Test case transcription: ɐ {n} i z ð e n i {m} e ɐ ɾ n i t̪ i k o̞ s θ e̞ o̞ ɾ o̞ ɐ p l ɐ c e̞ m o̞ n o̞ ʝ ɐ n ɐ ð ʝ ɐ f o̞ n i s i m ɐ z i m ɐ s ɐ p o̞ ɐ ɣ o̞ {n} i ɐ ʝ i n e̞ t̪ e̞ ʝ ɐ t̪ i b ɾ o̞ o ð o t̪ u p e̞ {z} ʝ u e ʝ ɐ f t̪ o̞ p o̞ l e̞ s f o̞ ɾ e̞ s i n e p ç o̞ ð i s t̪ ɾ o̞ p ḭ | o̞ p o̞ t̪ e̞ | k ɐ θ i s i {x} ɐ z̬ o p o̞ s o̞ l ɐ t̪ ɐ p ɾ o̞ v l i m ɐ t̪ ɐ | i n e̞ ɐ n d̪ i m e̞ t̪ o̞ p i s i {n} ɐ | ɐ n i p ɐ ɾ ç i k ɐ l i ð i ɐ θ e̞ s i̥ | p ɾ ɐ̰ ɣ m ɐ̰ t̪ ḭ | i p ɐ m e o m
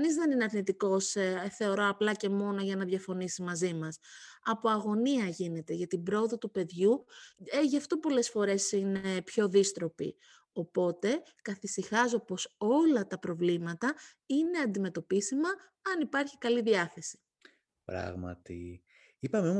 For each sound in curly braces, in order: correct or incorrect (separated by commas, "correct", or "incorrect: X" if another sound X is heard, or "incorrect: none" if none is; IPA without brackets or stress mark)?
correct, incorrect: n, correct, incorrect: ð, correct, incorrect: m